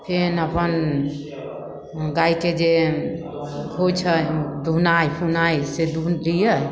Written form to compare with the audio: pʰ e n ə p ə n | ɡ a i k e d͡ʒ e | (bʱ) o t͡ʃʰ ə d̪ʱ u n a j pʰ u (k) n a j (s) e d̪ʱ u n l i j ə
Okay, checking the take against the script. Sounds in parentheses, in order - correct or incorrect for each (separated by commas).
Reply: incorrect, incorrect, correct